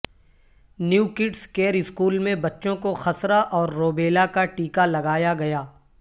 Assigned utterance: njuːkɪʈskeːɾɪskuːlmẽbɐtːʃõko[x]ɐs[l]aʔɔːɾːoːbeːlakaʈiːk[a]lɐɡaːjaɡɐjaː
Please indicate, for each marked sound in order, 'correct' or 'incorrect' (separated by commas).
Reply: correct, incorrect, correct